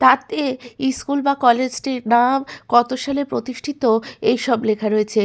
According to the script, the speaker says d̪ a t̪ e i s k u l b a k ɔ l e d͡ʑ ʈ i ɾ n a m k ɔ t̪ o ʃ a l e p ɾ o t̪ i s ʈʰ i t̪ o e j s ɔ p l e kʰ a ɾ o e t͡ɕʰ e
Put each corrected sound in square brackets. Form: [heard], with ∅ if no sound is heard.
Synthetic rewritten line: [t̪] a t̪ e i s k u l b a k ɔ l e d͡ʑ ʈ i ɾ n a m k ɔ t̪ o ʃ a l e p ɾ o t̪ i [ʃ] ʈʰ i t̪ o e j [ʃ] ɔ [b] l e kʰ a ɾ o e t͡ɕʰ e

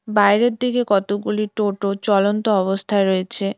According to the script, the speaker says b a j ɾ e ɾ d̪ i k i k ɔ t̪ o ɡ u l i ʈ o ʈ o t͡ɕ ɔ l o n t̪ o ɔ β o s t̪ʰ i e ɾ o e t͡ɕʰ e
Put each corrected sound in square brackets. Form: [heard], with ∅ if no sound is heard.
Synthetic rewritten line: b a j ɾ e ɾ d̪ i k [e] k ɔ t̪ o ɡ u l i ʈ o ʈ o t͡ɕ ɔ l o n t̪ o ɔ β o s t̪ʰ [a] e ɾ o e t͡ɕʰ e

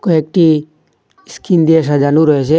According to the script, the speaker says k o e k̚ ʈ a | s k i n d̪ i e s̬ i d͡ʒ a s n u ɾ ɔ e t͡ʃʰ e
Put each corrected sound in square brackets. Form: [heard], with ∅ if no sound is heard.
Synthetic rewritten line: k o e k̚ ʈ [i] | s k i n d̪ i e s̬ [a] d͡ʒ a [∅] n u ɾ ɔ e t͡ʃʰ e

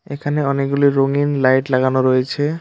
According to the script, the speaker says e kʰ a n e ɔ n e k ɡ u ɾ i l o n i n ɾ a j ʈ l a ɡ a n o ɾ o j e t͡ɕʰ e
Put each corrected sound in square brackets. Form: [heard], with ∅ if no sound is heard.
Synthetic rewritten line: e kʰ a n e ɔ n e k ɡ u [l] i [ɾ] o [ŋ] i n [l] a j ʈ l a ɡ a n o ɾ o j e t͡ɕʰ e

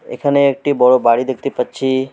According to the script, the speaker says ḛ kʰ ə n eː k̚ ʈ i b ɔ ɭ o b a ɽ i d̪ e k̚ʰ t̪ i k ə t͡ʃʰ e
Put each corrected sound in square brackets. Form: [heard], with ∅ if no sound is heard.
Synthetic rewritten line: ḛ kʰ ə n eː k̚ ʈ i b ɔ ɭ o b a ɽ i d̪ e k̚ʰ t̪ i [p] ə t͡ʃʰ [i]

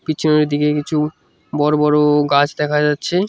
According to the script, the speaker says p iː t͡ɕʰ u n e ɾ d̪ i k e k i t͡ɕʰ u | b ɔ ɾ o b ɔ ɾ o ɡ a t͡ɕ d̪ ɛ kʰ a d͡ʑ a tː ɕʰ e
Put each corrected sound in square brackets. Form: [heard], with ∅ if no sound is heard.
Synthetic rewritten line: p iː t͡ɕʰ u n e ɾ d̪ i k e k i t͡ɕʰ u | b ɔ ɾ o b ɔ ɾ o ɡ a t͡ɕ d̪ ɛ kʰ a d͡ʑ a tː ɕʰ e

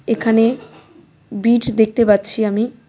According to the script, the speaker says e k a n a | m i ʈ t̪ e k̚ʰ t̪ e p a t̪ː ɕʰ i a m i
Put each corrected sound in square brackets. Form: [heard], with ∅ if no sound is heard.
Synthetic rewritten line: e [kʰ] a n [e] | [b] i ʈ [d̪] e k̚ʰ t̪ e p a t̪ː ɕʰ i a m i

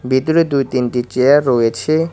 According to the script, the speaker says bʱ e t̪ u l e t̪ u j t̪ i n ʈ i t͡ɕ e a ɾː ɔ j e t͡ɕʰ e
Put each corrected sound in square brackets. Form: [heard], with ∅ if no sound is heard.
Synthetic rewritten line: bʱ [i] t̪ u [ɾ] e [d̪] u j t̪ i n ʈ i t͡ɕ e a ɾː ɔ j e t͡ɕʰ e

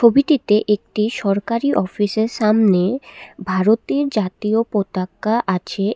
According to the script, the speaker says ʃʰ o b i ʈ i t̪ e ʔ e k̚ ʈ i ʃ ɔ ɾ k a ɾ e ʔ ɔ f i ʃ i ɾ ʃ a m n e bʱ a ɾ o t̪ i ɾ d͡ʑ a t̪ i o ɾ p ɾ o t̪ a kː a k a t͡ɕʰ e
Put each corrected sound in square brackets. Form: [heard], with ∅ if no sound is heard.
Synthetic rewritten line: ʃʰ o b i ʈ i t̪ e ʔ e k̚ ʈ i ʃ ɔ ɾ k a ɾ [i] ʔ ɔ f i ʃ [e] ɾ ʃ a m n e bʱ a ɾ o t̪ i ɾ d͡ʑ a t̪ i o [∅] p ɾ o t̪ a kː a [ʔ] a t͡ɕʰ e

